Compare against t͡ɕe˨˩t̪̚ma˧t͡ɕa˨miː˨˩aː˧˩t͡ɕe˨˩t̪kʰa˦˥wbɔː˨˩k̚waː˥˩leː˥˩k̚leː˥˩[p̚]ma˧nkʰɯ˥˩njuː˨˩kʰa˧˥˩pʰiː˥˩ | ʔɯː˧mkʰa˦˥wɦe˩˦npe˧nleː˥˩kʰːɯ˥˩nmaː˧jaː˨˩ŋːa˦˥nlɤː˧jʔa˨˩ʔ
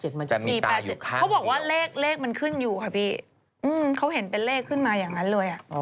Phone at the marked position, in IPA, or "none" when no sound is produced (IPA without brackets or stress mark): k̚